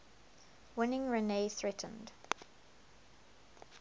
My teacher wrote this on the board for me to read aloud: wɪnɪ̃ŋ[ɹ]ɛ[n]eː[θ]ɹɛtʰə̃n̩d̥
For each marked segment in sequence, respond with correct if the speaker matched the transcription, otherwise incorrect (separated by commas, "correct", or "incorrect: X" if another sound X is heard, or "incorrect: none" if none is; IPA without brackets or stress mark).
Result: correct, correct, correct